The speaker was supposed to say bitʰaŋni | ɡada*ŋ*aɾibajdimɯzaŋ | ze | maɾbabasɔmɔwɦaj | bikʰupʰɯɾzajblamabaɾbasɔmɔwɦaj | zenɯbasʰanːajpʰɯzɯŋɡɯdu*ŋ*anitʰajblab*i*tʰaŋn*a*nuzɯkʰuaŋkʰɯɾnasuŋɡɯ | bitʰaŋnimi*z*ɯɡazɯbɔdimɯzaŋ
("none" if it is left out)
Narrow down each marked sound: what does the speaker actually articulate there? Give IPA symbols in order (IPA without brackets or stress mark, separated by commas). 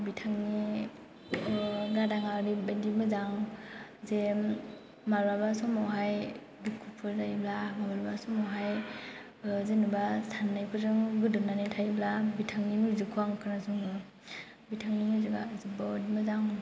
ŋ, n, i, i, z